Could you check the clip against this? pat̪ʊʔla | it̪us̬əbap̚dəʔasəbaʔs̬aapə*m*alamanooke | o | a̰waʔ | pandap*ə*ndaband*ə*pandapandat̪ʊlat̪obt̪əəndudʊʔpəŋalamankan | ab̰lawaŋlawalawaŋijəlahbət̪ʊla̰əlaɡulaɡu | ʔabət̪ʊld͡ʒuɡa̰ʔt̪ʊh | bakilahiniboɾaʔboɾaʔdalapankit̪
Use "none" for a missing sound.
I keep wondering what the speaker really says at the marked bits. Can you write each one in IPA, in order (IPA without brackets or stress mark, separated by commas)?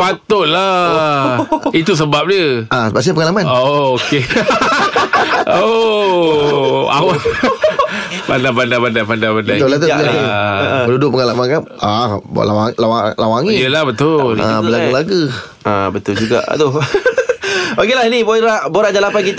ŋ, a, a